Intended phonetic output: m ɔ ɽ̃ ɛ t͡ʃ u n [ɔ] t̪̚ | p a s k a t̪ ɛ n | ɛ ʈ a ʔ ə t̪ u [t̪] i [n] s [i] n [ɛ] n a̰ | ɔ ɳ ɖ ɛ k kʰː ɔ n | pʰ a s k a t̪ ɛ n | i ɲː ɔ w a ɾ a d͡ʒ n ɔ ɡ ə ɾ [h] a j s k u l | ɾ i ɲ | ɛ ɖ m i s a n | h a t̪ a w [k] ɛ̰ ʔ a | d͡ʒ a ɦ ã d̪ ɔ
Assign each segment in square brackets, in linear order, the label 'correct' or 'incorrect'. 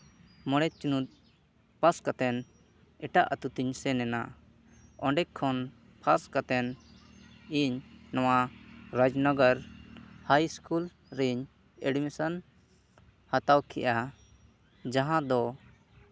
incorrect: u, correct, incorrect: ɲ, incorrect: ɛ, correct, correct, incorrect: kʰ

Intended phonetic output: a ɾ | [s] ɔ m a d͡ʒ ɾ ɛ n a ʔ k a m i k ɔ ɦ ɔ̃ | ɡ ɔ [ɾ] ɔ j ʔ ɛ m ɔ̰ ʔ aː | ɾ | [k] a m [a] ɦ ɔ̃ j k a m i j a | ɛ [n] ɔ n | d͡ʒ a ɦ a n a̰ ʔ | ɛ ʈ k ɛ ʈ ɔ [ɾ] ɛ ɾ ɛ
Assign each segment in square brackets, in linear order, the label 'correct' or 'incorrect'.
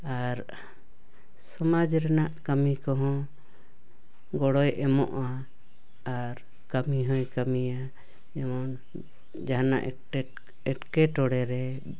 correct, incorrect: ɽ, correct, incorrect: i, incorrect: m, incorrect: ɽ

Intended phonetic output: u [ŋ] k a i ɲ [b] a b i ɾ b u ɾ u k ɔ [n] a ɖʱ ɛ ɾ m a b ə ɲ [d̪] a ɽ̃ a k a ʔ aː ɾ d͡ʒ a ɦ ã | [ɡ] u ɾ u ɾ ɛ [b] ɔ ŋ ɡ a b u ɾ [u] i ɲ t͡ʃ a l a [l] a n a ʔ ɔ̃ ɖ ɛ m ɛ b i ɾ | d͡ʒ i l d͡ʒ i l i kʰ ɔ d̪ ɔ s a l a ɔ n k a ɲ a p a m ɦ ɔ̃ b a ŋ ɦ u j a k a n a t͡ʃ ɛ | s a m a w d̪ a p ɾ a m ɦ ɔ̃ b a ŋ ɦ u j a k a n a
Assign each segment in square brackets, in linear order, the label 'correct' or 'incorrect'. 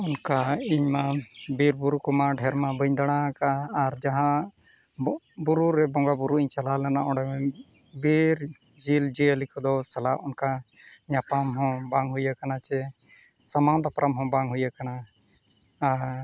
incorrect: n, incorrect: m, incorrect: m, correct, incorrect: b, correct, correct, correct

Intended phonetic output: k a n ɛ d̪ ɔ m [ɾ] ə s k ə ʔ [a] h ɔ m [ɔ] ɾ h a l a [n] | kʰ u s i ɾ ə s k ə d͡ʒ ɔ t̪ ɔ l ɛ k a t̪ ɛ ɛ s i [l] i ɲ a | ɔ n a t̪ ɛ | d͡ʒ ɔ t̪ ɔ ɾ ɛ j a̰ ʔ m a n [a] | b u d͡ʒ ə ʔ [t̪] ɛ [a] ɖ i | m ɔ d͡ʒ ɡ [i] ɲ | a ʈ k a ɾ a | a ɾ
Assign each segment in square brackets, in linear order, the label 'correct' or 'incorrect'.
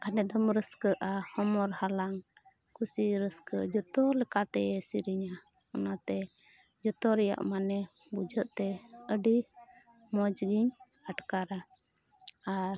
correct, correct, correct, incorrect: ŋ, incorrect: ɾ, incorrect: ɛ, correct, incorrect: ə, correct

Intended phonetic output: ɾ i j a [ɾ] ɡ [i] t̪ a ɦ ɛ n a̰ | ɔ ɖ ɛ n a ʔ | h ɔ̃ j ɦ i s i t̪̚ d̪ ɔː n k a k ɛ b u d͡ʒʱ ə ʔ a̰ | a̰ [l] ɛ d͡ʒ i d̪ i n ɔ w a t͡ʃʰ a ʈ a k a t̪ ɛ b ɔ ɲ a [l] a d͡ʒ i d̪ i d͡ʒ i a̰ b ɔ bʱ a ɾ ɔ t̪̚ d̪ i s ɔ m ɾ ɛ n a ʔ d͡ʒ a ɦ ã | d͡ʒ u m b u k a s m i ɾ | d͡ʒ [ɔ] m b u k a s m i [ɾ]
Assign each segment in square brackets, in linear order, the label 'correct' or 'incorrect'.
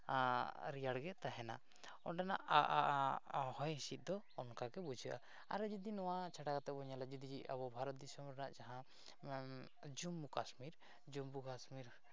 incorrect: ɽ, incorrect: ɛ, incorrect: ɾ, correct, incorrect: u, correct

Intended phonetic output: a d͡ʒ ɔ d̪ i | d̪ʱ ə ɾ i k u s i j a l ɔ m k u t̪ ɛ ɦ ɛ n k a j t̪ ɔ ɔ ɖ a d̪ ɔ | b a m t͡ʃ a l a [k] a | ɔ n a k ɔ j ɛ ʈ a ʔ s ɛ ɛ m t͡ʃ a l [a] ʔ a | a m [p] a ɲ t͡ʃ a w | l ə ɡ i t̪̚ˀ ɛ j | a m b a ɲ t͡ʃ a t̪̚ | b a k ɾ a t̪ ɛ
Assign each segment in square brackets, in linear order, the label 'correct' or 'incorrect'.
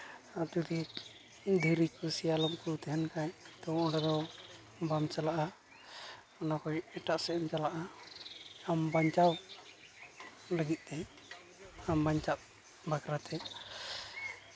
incorrect: ʔ, correct, incorrect: b

